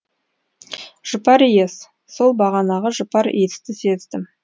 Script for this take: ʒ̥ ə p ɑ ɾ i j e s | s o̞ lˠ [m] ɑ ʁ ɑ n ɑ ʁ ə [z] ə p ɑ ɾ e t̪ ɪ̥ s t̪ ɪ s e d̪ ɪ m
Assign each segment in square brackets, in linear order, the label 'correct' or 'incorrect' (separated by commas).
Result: incorrect, incorrect